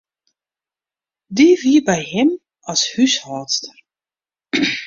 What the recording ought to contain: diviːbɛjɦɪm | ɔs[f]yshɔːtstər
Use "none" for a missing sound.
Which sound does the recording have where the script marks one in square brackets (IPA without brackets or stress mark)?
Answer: h